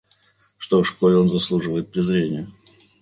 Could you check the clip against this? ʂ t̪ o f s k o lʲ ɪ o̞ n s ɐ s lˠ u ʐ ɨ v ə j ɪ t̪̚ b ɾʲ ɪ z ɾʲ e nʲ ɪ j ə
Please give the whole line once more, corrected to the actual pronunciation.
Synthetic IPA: ʂ t̪ o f ʂ k o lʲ ɪ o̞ n z ɐ s lˠ u ʐ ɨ v ə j ɪ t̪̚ p ɾʲ ɪ z ɾʲ e nʲ ɪ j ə